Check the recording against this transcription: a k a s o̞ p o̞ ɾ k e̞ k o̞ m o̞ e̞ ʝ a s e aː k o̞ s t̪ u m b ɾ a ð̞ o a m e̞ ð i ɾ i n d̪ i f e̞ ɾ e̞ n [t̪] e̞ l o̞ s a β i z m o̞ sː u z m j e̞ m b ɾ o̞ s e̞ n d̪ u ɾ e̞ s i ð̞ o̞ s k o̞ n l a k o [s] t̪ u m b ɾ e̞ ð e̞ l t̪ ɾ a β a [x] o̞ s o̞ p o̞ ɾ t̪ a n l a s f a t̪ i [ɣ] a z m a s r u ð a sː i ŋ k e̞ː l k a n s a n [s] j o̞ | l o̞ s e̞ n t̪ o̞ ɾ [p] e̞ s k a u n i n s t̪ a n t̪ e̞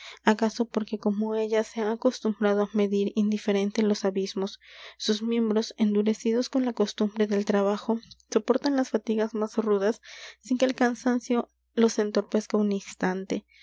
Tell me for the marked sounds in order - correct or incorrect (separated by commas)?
correct, correct, correct, correct, correct, correct